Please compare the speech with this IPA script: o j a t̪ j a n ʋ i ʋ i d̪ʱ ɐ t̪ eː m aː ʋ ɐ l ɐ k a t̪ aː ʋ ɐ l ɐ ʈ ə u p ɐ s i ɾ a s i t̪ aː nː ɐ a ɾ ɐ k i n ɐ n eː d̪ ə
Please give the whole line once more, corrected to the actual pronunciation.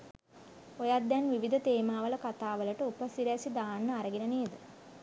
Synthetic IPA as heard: o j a d̪ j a n ʋ i ʋ i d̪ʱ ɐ t̪ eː m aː ʋ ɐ l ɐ k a t̪ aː ʋ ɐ l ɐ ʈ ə u p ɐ s i ɾ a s i d̪ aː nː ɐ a ɾ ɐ ɡ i n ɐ n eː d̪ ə